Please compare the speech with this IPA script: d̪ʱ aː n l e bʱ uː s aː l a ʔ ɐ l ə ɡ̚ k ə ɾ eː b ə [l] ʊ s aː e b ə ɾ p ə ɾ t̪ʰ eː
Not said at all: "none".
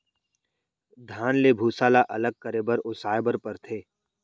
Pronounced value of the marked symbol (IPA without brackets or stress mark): ɾ